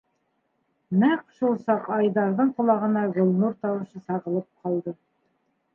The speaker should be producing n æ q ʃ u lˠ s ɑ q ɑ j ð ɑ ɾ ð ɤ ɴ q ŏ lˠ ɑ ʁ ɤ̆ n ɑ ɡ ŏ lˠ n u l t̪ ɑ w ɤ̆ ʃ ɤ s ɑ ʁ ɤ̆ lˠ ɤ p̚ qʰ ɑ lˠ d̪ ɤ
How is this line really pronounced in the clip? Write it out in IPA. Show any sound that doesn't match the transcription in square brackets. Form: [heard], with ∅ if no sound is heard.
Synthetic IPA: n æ q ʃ u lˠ s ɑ q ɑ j ð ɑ ɾ ð ɤ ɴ q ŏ lˠ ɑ ʁ ɤ̆ n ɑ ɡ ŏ lˠ n u [ɾ] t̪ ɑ w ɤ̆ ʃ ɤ s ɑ ʁ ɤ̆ lˠ ɤ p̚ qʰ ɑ lˠ d̪ ɤ